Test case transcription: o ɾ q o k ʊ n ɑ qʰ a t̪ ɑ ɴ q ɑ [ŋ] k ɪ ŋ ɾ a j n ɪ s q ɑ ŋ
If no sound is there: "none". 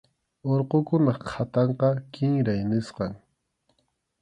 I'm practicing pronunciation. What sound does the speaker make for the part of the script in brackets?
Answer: none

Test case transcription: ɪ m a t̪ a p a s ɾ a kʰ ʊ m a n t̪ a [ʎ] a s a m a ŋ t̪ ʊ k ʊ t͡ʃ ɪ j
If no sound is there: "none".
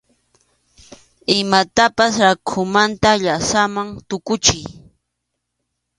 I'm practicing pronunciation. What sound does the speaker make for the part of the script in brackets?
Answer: ʎ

